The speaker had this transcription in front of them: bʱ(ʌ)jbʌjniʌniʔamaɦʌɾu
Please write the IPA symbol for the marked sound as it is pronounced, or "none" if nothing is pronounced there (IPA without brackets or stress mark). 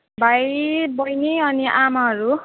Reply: a